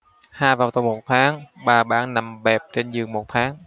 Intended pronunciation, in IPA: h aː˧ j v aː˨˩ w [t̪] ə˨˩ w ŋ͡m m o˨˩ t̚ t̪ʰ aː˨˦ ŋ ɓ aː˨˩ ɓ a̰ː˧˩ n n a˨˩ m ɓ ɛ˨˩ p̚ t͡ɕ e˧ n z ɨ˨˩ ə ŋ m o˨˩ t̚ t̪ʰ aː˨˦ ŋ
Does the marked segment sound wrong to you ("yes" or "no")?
no